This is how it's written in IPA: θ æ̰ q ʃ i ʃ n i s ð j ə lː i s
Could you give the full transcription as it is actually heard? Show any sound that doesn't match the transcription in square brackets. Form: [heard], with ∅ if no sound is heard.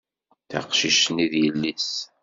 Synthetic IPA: θ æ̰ q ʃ i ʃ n i [∅] ð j ə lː i s